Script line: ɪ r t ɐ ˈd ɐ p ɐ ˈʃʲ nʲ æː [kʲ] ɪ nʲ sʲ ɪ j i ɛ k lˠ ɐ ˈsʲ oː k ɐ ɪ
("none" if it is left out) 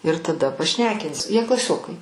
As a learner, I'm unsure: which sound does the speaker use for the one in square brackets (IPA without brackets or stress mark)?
kʲ